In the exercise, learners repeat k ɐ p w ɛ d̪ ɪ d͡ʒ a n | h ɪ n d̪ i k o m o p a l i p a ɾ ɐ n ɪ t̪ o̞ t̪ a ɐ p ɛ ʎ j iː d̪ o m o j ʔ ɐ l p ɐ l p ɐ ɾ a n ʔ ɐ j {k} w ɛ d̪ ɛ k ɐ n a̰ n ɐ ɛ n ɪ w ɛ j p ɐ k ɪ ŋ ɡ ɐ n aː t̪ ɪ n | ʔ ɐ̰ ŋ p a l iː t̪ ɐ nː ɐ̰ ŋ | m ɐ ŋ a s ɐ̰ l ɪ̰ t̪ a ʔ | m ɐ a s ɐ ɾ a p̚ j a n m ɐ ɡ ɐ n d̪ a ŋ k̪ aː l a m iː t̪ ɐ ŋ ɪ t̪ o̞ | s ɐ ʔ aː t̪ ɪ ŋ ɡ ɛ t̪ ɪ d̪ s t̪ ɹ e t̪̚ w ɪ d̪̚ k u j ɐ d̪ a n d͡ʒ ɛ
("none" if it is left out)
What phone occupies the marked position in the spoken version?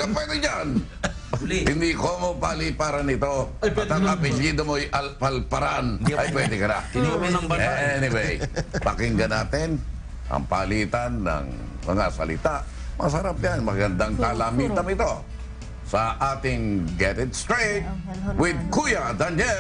p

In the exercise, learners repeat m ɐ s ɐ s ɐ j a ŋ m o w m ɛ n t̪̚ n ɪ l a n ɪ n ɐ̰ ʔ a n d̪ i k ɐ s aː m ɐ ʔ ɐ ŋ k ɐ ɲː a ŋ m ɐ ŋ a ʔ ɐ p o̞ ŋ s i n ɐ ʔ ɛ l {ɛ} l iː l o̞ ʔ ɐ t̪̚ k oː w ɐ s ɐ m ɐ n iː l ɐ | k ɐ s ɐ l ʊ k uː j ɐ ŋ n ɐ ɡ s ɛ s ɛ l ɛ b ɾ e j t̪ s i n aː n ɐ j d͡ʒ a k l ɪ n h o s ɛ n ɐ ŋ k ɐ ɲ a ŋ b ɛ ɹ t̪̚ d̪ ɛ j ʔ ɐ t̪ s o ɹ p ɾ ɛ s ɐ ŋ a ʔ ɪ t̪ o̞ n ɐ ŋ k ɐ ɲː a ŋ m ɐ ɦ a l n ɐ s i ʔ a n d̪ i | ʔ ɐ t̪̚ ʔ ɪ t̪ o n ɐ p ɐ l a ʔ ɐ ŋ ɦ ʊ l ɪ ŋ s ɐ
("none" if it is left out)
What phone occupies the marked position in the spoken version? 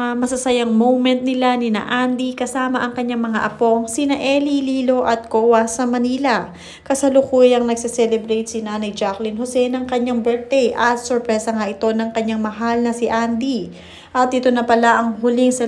i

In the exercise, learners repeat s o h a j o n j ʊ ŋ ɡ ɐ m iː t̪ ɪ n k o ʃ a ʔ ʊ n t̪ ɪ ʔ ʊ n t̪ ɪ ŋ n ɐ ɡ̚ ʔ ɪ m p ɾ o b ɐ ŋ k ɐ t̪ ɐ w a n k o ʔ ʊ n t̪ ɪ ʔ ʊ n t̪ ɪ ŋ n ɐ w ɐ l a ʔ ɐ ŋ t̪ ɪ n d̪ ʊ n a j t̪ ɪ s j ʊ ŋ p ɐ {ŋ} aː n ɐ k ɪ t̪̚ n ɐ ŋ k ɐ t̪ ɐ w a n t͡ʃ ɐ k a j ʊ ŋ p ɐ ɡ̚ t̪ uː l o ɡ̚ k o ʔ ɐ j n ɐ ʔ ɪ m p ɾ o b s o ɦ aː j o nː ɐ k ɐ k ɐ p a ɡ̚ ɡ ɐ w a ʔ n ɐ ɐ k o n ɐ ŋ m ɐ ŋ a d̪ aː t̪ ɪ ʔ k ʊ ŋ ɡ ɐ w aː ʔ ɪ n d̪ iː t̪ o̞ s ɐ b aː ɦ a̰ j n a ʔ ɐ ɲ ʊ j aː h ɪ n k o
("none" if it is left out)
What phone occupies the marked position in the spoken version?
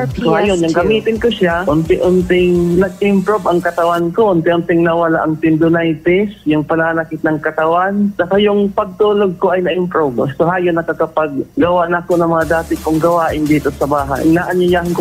n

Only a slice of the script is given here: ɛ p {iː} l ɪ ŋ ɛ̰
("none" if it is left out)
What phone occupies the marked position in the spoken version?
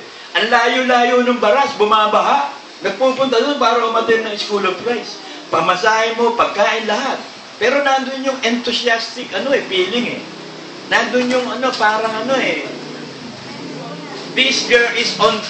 iː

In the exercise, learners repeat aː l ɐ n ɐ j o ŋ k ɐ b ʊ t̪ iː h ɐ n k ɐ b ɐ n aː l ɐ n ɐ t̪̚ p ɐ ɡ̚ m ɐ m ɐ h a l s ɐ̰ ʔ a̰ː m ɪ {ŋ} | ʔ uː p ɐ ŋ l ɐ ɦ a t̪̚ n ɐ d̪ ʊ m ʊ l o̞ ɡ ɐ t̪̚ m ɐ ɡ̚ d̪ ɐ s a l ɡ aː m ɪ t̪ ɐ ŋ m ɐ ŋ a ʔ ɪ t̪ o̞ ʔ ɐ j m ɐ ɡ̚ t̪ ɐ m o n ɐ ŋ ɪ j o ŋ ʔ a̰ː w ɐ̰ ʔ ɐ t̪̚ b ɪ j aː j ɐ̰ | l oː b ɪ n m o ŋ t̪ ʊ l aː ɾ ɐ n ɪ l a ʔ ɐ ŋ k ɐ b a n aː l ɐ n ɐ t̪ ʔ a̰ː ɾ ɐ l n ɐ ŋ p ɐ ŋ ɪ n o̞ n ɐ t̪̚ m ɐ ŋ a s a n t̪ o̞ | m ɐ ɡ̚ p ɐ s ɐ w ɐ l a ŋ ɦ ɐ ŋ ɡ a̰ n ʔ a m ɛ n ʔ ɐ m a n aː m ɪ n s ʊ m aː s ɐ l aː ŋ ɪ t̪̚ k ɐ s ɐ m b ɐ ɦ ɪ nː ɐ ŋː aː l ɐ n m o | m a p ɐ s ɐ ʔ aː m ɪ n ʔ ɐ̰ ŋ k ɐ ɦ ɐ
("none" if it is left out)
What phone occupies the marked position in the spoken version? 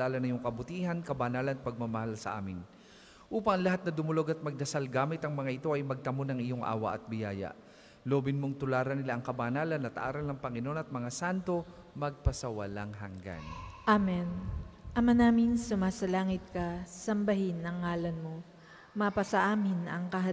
n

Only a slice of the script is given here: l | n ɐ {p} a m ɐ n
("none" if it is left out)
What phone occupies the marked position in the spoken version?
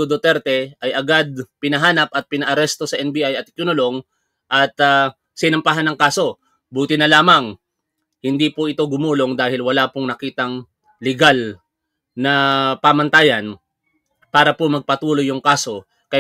p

